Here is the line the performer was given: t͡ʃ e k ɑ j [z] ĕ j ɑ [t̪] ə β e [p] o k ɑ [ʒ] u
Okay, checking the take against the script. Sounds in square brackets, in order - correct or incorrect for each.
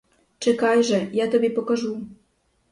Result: incorrect, correct, correct, correct

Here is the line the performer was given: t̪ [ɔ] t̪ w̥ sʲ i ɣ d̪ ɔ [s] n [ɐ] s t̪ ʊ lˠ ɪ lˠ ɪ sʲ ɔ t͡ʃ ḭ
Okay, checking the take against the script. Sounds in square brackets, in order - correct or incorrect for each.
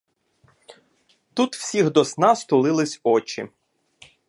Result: incorrect, correct, incorrect

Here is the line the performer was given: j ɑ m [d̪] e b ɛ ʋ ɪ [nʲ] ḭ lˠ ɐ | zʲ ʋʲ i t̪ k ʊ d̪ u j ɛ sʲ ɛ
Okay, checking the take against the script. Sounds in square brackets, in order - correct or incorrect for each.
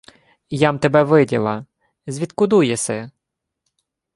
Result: incorrect, incorrect

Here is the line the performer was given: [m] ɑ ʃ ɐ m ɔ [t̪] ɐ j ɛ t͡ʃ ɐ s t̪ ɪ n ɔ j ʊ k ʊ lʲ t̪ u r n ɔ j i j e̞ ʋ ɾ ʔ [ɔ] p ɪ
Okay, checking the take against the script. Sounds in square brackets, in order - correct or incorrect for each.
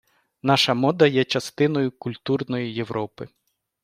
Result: incorrect, incorrect, correct

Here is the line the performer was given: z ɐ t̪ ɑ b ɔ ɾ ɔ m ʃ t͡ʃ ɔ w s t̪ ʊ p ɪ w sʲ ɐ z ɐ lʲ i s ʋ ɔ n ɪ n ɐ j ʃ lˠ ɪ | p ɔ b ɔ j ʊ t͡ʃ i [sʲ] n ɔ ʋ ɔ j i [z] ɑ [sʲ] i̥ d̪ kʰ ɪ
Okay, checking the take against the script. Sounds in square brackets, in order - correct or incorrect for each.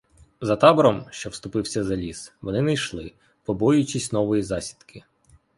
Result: correct, correct, correct

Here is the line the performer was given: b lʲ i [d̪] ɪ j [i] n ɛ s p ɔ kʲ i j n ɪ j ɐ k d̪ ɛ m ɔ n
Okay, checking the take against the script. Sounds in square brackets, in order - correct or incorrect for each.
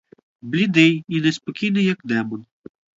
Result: correct, correct

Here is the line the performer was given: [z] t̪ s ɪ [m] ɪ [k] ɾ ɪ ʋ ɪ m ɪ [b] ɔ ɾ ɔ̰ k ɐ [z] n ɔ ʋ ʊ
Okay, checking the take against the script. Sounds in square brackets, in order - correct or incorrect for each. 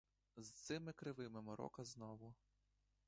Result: correct, correct, correct, incorrect, correct

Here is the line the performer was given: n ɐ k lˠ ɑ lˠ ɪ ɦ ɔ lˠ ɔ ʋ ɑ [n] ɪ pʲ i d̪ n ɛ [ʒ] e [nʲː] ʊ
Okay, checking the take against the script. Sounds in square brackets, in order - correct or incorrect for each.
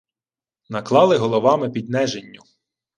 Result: incorrect, correct, correct

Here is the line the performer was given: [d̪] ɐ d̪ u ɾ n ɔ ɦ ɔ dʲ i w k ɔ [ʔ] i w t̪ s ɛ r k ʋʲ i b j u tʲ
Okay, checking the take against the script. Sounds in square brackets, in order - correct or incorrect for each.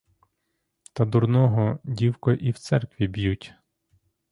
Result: incorrect, correct

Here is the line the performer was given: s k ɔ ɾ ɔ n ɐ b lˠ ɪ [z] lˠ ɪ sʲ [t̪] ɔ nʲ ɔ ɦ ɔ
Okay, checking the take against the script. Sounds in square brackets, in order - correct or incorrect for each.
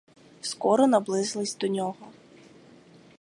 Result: correct, incorrect

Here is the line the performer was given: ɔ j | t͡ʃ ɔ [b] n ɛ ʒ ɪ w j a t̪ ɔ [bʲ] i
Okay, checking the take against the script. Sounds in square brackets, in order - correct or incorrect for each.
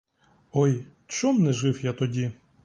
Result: incorrect, incorrect

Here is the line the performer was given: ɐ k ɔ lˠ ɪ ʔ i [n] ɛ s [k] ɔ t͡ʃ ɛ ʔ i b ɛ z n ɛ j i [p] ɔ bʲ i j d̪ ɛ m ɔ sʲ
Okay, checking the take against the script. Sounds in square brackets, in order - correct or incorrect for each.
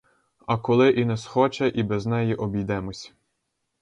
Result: correct, incorrect, incorrect

